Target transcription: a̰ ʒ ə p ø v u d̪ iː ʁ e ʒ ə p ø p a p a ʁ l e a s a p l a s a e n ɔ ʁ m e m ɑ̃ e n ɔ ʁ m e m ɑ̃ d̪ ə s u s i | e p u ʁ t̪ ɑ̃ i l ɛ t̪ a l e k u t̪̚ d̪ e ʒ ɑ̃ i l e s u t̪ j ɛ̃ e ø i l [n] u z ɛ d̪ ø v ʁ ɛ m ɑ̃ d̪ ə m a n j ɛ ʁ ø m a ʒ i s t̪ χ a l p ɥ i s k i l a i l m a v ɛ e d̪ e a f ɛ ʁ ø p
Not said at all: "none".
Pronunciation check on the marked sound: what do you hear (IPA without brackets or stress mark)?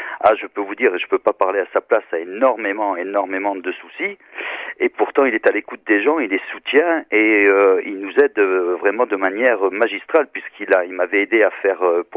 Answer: n